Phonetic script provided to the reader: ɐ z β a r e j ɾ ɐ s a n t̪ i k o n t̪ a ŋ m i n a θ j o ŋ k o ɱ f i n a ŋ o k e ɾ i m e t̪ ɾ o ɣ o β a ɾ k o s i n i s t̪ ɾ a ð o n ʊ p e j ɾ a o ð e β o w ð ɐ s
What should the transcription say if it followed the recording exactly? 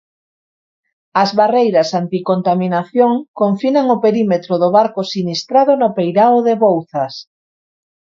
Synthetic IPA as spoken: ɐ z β a r e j ɾ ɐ s a n t̪ i k o n t̪ a m i n a θ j o ŋ k o ɱ f i n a ŋ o p e ɾ i m e t̪ ɾ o ð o β a ɾ k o s i n i s t̪ ɾ a ð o n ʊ p e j ɾ a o ð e β o w θ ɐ s